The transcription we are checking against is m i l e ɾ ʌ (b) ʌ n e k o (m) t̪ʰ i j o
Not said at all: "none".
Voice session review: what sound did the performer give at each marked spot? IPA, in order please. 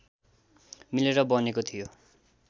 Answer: b, none

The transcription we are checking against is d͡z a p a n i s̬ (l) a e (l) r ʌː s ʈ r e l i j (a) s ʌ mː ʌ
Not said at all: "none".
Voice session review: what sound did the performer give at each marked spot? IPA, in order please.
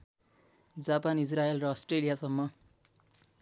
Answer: r, l, a

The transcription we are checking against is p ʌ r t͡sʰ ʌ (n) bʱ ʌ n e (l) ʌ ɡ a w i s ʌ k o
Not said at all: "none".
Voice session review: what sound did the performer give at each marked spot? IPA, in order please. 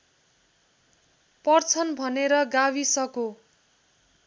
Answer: n, ɾ

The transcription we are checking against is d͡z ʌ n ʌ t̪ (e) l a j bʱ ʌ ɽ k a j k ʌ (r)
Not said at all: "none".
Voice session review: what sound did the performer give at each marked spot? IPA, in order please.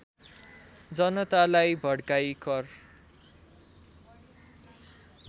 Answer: a, r

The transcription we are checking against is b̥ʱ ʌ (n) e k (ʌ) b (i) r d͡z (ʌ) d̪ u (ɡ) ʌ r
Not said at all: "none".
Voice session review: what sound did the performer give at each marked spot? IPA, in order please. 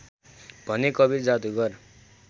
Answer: n, ʌ, i, a, ɡ

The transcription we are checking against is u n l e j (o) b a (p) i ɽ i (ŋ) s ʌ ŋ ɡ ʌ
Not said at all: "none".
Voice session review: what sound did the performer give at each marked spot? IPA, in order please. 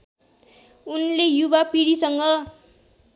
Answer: u, p, none

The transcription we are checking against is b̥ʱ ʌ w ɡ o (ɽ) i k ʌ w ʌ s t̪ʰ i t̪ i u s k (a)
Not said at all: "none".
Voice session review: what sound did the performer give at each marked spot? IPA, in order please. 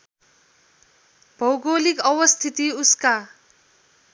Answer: l, a

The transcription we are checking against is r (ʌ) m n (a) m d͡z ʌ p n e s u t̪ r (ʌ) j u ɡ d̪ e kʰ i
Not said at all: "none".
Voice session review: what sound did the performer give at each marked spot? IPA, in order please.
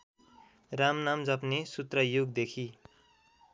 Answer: a, a, ʌ

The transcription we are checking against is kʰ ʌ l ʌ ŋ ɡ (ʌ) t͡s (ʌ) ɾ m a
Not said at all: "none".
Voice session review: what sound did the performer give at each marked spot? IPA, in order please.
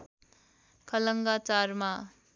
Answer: a, a

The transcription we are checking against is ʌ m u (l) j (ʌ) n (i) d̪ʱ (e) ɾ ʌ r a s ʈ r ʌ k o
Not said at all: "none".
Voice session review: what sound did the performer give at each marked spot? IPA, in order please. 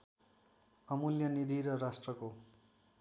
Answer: l, ʌ, i, i

